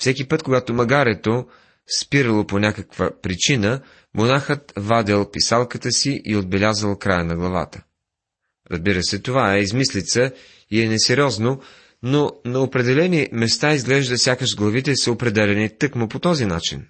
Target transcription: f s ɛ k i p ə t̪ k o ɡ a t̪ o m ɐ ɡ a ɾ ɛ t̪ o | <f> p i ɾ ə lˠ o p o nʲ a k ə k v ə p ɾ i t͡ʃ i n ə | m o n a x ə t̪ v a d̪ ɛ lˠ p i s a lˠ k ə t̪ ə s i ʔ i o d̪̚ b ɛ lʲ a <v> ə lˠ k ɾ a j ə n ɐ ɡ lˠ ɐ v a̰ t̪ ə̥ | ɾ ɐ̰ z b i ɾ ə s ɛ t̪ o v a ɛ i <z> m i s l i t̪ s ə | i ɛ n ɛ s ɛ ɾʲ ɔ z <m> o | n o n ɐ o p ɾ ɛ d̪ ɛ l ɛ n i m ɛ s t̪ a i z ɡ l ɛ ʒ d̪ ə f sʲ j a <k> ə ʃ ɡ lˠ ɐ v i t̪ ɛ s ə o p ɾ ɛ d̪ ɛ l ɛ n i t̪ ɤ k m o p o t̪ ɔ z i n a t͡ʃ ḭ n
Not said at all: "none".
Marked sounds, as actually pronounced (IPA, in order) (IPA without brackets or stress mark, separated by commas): s, z, z, n, k